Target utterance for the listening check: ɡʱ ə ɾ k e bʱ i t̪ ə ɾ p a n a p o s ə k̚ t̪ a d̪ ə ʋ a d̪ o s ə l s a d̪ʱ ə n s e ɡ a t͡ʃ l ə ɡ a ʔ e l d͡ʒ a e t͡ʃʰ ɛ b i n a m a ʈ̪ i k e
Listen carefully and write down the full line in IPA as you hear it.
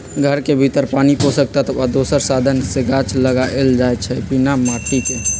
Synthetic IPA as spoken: ɡʱ ə ɾ k e bʱ i t̪ ə ɾ p a n i p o s ə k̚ t̪ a t̪ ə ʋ a d̪ o s ə ɾ s a d̪ʱ ə n s e ɡ a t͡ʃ l ə ɡ a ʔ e l d͡ʒ a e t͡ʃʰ ɛ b i n a m a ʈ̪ i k e